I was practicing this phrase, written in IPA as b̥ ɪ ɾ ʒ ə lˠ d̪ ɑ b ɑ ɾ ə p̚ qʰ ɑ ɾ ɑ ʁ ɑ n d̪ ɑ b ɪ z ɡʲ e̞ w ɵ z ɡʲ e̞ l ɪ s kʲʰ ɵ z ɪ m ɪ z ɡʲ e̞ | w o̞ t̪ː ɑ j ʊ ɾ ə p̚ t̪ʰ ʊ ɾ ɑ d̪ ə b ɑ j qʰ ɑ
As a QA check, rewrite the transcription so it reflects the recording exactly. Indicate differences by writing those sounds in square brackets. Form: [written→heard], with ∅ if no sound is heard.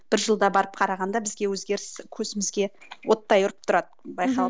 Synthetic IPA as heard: b̥ ɪ ɾ ʒ ə lˠ d̪ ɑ b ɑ ɾ ə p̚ qʰ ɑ ɾ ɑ ʁ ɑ n d̪ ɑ b ɪ z ɡʲ e̞ w ɵ z ɡʲ e̞ [l→ɾ] ɪ s kʲʰ ɵ z ɪ m ɪ z ɡʲ e̞ | w o̞ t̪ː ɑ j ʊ ɾ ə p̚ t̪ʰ ʊ ɾ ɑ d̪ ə b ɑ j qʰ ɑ